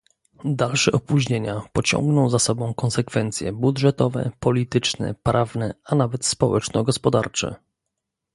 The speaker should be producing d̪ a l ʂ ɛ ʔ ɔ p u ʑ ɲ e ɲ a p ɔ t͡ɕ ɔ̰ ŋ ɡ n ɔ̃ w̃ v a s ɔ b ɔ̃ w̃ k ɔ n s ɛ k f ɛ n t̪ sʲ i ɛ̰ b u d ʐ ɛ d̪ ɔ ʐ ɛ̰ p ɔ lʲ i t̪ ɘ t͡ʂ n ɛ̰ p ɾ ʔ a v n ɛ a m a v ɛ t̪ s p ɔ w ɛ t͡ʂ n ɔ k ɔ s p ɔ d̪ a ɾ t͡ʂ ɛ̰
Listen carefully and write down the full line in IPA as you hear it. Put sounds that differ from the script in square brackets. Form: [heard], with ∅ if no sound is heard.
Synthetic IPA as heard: d̪ a l ʂ ɛ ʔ ɔ p u ʑ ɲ e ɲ a p ɔ t͡ɕ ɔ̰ ŋ ɡ n ɔ̃ w̃ [z] a s ɔ b ɔ̃ w̃ k ɔ n s ɛ k f ɛ n t̪ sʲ [j] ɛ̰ b u d ʐ ɛ [t̪] ɔ [v] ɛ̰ p ɔ lʲ i t̪ ɘ t͡ʂ n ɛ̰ p ɾ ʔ a v n ɛ a [n] a v ɛ t̪ s p ɔ w ɛ t͡ʂ n ɔ [ɡ] ɔ s p ɔ d̪ a ɾ t͡ʂ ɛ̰